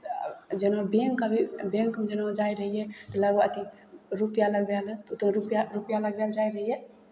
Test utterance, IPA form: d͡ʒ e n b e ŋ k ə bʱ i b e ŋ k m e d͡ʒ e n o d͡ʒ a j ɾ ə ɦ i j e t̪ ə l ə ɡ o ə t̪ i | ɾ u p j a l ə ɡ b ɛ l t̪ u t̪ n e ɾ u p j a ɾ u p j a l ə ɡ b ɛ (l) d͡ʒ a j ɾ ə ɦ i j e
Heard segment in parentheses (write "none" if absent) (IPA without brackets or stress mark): l